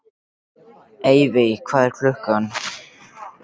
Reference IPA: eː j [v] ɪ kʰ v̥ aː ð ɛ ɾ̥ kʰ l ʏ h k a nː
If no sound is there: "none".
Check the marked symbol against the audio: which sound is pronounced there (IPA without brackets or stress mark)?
v